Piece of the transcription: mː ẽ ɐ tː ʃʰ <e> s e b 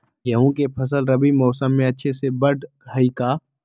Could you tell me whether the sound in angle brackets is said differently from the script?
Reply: no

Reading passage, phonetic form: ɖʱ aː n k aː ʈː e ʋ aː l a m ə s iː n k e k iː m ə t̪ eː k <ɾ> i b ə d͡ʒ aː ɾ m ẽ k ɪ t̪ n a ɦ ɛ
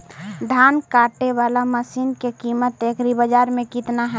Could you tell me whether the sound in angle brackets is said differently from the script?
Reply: no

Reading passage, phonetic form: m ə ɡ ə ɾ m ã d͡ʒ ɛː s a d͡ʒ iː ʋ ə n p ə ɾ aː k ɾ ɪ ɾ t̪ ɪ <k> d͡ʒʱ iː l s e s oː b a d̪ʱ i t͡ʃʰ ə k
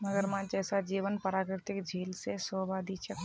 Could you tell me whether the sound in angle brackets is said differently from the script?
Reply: no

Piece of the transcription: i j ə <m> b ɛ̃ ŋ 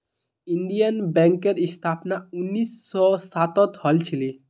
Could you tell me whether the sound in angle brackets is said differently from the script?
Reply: yes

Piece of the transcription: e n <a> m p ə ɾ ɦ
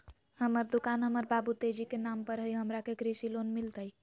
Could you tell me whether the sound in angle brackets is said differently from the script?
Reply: no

